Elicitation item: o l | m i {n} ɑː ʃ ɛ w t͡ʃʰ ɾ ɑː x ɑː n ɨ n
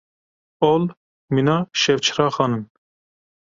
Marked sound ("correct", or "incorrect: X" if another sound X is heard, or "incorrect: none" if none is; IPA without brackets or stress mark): correct